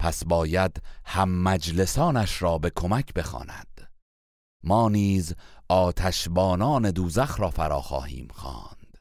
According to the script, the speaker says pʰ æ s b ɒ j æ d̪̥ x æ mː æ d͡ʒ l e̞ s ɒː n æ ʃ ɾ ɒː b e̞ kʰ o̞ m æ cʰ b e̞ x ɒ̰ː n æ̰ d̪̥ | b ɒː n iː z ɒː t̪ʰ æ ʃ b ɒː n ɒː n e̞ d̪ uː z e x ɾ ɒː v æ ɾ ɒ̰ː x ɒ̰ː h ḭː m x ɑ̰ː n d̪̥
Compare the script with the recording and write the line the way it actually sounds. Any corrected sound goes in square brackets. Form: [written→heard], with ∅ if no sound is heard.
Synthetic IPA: pʰ æ s b [ɒ→ɒː] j æ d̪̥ [x→h] æ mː æ d͡ʒ l e̞ s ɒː n æ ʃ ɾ ɒː b e̞ kʰ o̞ m æ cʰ b e̞ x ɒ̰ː n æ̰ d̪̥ | [b→m] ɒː n iː z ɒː t̪ʰ æ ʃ b ɒː n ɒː n e̞ d̪ uː z [e→æ] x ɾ ɒː [v→f] æ ɾ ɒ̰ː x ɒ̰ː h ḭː m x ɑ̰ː n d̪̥